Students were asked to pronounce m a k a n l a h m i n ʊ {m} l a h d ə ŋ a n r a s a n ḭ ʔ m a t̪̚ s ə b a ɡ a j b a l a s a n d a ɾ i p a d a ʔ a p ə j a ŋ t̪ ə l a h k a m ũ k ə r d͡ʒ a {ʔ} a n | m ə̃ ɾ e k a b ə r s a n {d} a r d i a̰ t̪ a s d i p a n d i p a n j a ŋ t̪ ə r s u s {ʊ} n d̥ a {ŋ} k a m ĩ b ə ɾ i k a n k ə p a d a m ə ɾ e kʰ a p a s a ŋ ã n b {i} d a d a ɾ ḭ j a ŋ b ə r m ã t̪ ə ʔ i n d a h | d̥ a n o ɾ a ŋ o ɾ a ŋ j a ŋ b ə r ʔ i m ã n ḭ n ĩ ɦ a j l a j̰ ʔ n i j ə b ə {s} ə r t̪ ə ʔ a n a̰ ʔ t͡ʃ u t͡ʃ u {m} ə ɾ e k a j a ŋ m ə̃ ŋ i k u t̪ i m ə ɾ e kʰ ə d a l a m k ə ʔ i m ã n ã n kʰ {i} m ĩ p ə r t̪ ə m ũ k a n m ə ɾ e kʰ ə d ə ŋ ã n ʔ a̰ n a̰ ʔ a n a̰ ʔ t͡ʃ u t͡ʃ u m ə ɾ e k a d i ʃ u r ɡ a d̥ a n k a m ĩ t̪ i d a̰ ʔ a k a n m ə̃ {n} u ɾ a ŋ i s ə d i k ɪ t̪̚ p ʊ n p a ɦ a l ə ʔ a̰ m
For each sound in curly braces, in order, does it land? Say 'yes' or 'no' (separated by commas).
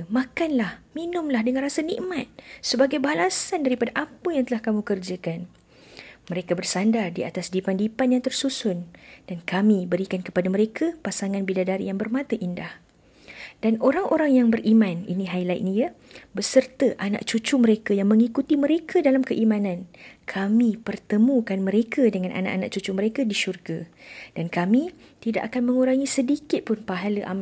yes, no, yes, yes, no, yes, yes, yes, no, no